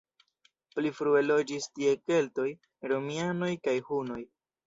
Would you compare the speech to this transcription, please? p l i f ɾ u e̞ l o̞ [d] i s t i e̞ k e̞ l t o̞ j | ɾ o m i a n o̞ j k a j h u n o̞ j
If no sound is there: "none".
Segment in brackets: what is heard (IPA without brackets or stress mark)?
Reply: d͡ʒ